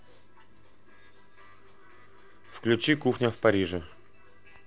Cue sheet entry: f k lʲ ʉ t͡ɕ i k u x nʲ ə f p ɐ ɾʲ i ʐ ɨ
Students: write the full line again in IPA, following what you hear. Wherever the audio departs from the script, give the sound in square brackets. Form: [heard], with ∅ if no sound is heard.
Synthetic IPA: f k lʲ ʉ t͡ɕ i k u x nʲ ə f p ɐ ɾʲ i ʐ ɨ

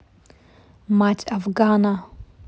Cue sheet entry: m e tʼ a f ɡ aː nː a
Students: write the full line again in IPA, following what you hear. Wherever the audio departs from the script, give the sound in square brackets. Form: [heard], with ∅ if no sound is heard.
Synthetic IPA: m [a] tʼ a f ɡ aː [n] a

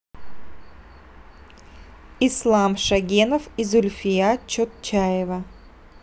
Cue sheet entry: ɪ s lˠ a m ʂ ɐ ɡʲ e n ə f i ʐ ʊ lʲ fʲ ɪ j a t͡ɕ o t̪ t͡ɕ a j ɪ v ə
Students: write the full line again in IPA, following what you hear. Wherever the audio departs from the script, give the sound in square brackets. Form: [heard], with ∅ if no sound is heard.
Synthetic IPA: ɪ s lˠ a m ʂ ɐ ɡʲ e n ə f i [z] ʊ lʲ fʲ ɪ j a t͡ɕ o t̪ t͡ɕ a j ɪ v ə

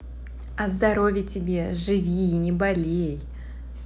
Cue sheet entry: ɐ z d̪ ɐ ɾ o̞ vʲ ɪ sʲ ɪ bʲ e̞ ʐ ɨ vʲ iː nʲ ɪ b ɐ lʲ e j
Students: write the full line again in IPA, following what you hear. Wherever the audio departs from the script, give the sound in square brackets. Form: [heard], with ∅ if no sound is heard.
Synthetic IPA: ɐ z d̪ ɐ ɾ o̞ vʲ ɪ [tʲ] ɪ bʲ e̞ ʐ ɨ vʲ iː nʲ ɪ b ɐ lʲ e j

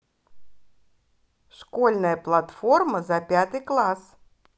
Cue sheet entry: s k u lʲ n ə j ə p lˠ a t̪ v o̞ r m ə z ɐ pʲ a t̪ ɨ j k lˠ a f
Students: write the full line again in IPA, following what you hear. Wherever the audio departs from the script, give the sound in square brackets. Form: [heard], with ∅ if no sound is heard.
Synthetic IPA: [ʂ] k [o] lʲ n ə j ə p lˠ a t̪ [f] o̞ r m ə z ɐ pʲ a t̪ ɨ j k lˠ a [s]

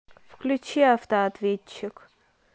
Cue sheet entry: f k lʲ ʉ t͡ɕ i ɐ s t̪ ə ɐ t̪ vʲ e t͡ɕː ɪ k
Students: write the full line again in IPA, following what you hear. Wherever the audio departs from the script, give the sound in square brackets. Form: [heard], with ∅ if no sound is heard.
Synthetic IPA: f k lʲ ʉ t͡ɕ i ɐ [f] t̪ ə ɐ t̪ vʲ e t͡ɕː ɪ k

